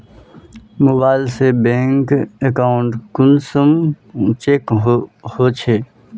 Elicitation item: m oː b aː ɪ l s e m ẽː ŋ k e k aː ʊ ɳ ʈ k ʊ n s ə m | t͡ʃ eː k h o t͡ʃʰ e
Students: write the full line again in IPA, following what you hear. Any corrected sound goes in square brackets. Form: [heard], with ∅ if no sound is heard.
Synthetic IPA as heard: m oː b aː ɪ l s e [b] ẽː ŋ k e k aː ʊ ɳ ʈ k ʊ n s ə m | t͡ʃ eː k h o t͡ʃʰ e

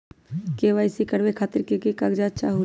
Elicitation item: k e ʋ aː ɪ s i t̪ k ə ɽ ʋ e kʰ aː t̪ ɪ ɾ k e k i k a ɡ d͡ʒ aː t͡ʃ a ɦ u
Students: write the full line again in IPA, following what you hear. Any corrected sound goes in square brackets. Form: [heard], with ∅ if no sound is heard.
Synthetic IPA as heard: k e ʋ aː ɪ s i [∅] k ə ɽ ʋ e kʰ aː t̪ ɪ ɾ k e k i k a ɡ d͡ʒ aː t͡ʃ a ɦ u

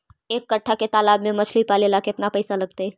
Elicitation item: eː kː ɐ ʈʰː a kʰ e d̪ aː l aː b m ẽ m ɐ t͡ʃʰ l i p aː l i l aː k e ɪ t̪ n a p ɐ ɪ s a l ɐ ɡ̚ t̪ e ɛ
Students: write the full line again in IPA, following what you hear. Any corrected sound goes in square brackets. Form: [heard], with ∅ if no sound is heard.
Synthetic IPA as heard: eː kː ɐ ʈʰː a [k] e [t̪] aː l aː b m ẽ m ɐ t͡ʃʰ l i p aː l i l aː k e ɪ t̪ n a p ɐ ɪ s a l ɐ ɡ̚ t̪ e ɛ

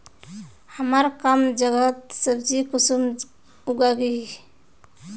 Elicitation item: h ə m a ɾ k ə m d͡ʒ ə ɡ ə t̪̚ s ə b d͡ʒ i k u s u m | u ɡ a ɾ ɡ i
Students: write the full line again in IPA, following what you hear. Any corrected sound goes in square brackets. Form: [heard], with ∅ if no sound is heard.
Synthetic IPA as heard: h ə m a ɾ k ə m d͡ʒ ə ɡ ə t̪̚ s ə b d͡ʒ i k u s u m | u ɡ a [∅] ɡ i

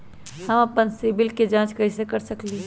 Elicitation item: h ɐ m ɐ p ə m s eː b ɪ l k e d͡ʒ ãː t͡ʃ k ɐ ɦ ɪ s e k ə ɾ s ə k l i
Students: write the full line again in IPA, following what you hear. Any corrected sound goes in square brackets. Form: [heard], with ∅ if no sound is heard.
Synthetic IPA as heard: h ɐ m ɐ p ə [n] s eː b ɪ l k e d͡ʒ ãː t͡ʃ k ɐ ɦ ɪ s e k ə ɾ s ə k l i

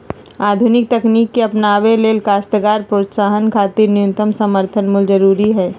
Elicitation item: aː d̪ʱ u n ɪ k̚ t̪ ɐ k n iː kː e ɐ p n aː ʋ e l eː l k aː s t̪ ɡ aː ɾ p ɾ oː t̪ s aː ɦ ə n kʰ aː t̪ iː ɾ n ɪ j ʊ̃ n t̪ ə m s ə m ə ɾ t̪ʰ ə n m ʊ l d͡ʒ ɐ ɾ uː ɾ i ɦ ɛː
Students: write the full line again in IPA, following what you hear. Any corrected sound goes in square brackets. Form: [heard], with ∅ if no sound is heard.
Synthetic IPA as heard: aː d̪ʱ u n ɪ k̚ t̪ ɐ k n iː kː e ɐ p n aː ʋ e l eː l k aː s t̪ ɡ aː ɾ p ɾ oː t̪ s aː ɦ ə n kʰ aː t̪ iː ɾ n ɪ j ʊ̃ n t̪ ə m s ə m ə ɾ t̪ʰ ə n m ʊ l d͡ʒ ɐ ɾ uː ɾ i ɦ ɛː

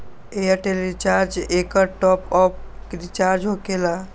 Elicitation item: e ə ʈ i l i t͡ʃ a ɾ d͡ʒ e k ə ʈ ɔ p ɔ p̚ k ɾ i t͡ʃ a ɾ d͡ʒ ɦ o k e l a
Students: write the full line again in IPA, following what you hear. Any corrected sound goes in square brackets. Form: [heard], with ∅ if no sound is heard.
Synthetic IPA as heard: e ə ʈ [e] l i t͡ʃ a ɾ d͡ʒ e k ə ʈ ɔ p ɔ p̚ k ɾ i t͡ʃ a ɾ d͡ʒ ɦ o k e l a

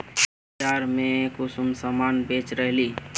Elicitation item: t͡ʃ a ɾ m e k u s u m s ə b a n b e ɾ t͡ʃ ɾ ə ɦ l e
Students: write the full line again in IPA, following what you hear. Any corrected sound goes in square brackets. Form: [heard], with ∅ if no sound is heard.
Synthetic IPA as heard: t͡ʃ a ɾ m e k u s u m s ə [m] a n b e [∅] t͡ʃ ɾ ə ɦ l [i]

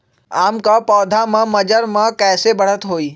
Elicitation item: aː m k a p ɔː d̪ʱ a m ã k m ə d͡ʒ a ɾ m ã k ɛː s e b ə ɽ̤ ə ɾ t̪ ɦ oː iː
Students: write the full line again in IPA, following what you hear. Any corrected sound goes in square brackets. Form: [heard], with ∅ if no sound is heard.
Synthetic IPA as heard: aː m k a p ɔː d̪ʱ a m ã [∅] m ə d͡ʒ [ə] ɾ m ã k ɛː s e b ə ɽ̤ ə [∅] t̪ ɦ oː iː

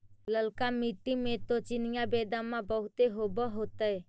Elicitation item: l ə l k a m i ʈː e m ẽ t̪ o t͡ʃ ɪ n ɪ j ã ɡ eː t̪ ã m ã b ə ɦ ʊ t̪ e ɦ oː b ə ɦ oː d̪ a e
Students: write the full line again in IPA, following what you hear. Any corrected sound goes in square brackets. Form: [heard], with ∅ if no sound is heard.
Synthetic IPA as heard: l ə l k a m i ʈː [i] m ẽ t̪ o t͡ʃ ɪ n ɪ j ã [b] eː [d̪] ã m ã b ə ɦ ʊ t̪ e ɦ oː b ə ɦ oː [t̪] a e

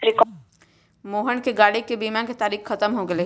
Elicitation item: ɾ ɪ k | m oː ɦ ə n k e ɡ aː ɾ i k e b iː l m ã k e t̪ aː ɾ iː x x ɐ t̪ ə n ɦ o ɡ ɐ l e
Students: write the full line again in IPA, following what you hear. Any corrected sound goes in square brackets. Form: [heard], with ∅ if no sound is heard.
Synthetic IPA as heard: ɾ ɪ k | m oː ɦ ə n k e ɡ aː [ɽ] i k e b iː [∅] m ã k e t̪ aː ɾ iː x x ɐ t̪ ə [m] ɦ o ɡ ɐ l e

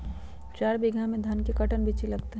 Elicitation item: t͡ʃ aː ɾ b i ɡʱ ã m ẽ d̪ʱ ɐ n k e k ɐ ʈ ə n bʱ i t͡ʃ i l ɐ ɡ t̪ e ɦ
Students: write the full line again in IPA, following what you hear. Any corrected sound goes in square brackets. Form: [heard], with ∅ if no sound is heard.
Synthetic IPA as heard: t͡ʃ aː ɾ b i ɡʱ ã m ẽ d̪ʱ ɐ n k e k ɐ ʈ ə n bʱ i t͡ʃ i l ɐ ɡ t̪ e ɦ

